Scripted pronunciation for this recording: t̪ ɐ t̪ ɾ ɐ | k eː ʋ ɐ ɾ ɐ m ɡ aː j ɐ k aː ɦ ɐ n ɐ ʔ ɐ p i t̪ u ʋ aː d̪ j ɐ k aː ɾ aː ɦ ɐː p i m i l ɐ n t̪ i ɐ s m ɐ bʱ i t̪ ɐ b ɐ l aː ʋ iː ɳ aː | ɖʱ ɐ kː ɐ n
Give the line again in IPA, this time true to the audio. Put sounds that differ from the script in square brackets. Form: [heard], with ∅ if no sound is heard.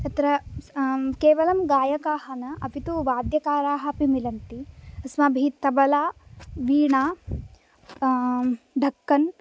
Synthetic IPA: t̪ ɐ t̪ ɾ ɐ | k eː ʋ ɐ [l] ɐ m ɡ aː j ɐ k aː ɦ ɐ n ɐ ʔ ɐ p i t̪ u ʋ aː d̪ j ɐ k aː ɾ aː ɦ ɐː p i m i l ɐ n t̪ i ɐ s m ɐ bʱ i t̪ ɐ b ɐ l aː ʋ iː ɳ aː | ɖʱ ɐ kː ɐ n

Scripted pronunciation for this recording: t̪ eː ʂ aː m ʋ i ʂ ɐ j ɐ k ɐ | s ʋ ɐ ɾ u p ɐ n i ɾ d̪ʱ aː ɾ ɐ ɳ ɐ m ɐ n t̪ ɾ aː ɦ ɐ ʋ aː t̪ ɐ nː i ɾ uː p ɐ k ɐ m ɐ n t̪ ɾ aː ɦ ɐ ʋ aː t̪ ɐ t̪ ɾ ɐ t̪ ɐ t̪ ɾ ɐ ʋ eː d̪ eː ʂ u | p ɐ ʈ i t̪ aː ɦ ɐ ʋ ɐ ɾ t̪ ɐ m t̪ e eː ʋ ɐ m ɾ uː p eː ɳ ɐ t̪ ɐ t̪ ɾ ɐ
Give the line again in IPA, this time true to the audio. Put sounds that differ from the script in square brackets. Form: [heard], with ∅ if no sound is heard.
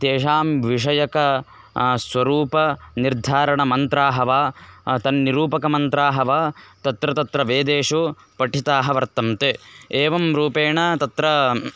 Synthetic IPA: t̪ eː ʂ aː m ʋ i ʂ ɐ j ɐ k ɐ | s ʋ ɐ ɾ [uː] p ɐ n i ɾ d̪ʱ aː ɾ ɐ ɳ ɐ m ɐ n t̪ ɾ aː ɦ ɐ ʋ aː t̪ ɐ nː i ɾ uː p ɐ k ɐ m ɐ n t̪ ɾ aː ɦ ɐ ʋ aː t̪ ɐ t̪ ɾ ɐ t̪ ɐ t̪ ɾ ɐ ʋ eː d̪ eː ʂ u | p ɐ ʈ i t̪ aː ɦ ɐ ʋ ɐ ɾ t̪ ɐ m t̪ e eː ʋ ɐ m ɾ uː p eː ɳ ɐ t̪ ɐ t̪ ɾ ɐ

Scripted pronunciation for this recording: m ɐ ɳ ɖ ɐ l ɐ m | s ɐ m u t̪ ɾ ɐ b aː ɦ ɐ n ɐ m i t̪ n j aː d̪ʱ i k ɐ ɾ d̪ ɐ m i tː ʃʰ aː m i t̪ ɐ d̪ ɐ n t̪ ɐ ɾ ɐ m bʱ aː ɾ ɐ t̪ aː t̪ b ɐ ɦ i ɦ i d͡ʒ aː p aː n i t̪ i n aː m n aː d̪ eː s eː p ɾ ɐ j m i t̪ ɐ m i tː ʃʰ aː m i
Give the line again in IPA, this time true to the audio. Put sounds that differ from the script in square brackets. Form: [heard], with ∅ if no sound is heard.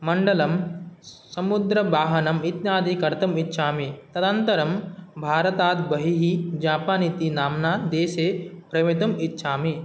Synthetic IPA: m ɐ ɳ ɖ ɐ l ɐ m | s ɐ m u [d̪] ɾ ɐ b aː ɦ ɐ n ɐ m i t̪ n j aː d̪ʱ i k ɐ ɾ [t̪] ɐ m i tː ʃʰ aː m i t̪ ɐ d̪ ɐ n t̪ ɐ ɾ ɐ m bʱ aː ɾ ɐ t̪ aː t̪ b ɐ ɦ i ɦ i d͡ʒ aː p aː n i t̪ i n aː m n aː d̪ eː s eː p ɾ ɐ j m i t̪ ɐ m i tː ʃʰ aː m i

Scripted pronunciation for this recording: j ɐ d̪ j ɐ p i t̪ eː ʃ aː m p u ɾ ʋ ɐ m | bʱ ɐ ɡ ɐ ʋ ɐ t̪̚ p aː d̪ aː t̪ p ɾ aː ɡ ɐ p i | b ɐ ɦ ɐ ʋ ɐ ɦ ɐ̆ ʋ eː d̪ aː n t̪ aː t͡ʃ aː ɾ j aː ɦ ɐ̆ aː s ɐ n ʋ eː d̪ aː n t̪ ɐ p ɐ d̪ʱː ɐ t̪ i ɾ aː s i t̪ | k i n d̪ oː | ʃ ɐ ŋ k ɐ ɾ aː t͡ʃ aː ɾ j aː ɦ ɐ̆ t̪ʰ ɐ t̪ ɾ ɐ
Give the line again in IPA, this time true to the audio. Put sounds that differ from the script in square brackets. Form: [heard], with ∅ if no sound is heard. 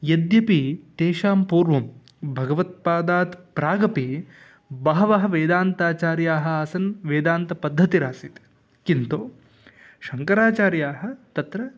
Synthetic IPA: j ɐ d̪ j ɐ p i t̪ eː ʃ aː m p [uː] ɾ ʋ ɐ m | bʱ ɐ ɡ ɐ ʋ ɐ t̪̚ p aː d̪ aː t̪ p ɾ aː ɡ ɐ p i | b ɐ ɦ ɐ ʋ ɐ ɦ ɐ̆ ʋ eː d̪ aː n t̪ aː t͡ʃ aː ɾ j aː ɦ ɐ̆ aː s ɐ n ʋ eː d̪ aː n t̪ ɐ p ɐ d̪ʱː ɐ t̪ i ɾ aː s i t̪ | k i n [t̪] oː | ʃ ɐ ŋ k ɐ ɾ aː t͡ʃ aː ɾ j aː ɦ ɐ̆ [t̪] ɐ t̪ ɾ ɐ

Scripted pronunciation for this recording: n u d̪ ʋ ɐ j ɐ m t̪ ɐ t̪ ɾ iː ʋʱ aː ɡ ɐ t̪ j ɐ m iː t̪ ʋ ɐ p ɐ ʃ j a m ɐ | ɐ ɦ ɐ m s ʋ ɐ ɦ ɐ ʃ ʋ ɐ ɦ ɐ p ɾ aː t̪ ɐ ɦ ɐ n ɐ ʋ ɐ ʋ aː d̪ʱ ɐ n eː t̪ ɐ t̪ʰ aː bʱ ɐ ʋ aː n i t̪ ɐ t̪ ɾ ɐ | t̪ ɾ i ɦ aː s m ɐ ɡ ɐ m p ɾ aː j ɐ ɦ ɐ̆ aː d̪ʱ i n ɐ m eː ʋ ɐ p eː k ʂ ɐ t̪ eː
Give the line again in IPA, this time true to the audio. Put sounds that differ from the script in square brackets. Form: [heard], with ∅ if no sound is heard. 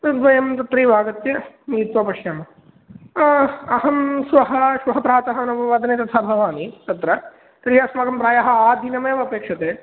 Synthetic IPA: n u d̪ ʋ ɐ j ɐ m t̪ ɐ t̪ ɾ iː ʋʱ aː ɡ ɐ t̪ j ɐ m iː t̪ ʋ ɐ p ɐ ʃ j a m ɐ | ɐ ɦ ɐ m s ʋ ɐ ɦ ɐ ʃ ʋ ɐ ɦ ɐ p ɾ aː t̪ ɐ ɦ ɐ n ɐ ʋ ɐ ʋ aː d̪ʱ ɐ n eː t̪ ɐ t̪ʰ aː bʱ ɐ ʋ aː n i t̪ ɐ t̪ ɾ ɐ | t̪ ɾ i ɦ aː s m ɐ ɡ ɐ m p ɾ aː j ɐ ɦ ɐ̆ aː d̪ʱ i n ɐ m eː ʋ ɐ p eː k ʂ ɐ t̪ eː

